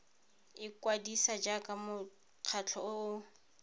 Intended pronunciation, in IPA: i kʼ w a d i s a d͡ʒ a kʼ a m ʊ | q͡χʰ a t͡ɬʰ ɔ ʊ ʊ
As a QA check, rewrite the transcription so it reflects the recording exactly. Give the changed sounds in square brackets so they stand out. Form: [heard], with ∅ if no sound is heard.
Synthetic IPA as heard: [ɪ] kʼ w a d i s a d͡ʒ a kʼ a m ʊ | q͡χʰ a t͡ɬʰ ɔ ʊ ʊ